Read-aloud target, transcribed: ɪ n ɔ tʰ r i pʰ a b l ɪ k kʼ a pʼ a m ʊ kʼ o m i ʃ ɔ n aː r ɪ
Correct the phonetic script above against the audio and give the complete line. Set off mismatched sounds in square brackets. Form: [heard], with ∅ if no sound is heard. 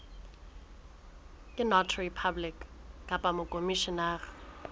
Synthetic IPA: ɪ n ɔ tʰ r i pʰ a b l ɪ k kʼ a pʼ a m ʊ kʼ o m i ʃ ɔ n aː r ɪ